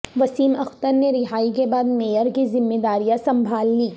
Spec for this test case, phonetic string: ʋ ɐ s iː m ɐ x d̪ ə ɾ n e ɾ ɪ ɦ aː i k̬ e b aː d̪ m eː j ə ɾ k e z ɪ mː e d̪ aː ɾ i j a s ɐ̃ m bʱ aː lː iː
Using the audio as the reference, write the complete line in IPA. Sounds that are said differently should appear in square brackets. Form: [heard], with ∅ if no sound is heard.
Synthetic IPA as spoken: ʋ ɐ s iː m ɐ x [t̪] ə ɾ n e ɾ ɪ ɦ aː i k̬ e b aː d̪ m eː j ə ɾ k [i] z ɪ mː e d̪ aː ɾ i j a s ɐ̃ m bʱ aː lː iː